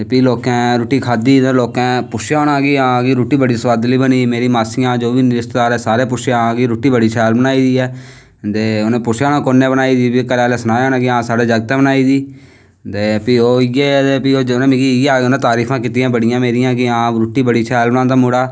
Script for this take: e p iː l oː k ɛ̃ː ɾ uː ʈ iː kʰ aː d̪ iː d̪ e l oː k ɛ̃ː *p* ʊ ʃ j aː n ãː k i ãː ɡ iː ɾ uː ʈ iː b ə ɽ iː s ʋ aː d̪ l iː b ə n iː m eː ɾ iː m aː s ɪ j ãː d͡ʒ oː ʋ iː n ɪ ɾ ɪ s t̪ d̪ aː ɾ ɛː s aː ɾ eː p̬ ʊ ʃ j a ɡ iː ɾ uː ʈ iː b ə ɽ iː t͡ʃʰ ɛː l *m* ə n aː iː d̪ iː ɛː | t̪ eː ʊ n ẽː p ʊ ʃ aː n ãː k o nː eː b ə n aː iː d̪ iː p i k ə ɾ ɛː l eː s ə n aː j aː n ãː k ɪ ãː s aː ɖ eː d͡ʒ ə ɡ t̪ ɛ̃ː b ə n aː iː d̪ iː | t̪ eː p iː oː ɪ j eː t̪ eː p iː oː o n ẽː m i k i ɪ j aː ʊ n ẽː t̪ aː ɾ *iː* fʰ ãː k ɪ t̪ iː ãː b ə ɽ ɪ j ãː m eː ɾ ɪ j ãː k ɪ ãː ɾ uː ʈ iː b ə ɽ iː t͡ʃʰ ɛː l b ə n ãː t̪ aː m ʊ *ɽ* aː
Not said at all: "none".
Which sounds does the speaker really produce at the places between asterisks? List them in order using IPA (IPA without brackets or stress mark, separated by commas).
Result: p, b, iː, ɽ